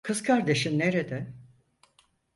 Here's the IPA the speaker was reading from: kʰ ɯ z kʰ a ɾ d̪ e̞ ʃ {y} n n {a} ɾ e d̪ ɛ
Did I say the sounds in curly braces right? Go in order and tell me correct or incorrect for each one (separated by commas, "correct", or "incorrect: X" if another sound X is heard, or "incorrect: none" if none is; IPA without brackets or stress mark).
incorrect: i, incorrect: e